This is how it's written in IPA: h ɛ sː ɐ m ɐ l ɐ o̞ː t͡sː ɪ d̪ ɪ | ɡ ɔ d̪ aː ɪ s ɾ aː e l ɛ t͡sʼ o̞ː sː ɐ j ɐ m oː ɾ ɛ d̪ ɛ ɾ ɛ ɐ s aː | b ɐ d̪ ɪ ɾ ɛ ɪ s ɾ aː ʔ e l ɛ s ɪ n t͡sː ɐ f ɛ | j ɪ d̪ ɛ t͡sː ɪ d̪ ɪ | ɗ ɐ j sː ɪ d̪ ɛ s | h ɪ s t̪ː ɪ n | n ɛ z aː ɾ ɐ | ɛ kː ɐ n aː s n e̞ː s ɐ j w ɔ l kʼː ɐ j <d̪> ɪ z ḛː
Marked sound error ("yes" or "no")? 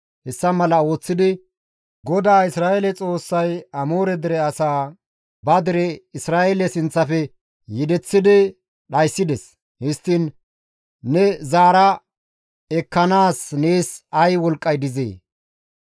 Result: no